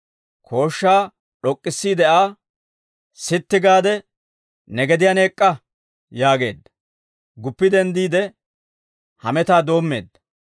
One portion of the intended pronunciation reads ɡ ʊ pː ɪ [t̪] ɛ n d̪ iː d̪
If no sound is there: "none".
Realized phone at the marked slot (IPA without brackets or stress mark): d̪